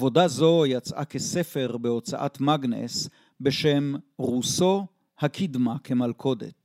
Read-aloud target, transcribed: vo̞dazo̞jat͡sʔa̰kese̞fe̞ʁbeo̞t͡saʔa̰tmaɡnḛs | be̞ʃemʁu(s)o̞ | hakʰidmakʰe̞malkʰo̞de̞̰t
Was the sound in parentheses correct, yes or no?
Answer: yes